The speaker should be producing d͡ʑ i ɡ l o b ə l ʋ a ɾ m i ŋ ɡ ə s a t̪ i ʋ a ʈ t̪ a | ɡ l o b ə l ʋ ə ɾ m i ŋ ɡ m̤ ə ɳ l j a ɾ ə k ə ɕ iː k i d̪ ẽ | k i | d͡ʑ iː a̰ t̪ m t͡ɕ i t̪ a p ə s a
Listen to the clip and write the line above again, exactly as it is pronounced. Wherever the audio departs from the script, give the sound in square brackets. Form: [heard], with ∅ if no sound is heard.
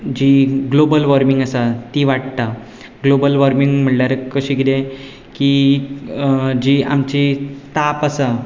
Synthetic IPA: d͡ʑ i ɡ l o b ə l ʋ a ɾ m i ŋ ɡ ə s a t̪ i ʋ a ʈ t̪ a | ɡ l o b ə l ʋ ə ɾ m i ŋ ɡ m̤ ə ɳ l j a ɾ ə k ə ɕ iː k i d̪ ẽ | k i | d͡ʑ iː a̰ [∅] m t͡ɕ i t̪ a p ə s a